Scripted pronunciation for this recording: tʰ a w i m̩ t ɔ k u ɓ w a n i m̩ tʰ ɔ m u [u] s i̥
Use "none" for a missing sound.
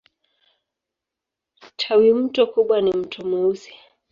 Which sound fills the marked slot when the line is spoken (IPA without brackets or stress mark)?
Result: u